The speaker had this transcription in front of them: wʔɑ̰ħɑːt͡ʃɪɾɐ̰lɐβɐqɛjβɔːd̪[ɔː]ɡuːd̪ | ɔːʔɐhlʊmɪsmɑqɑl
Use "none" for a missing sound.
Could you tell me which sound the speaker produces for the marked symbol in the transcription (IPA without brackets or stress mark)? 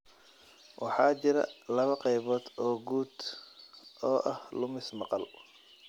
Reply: ɔː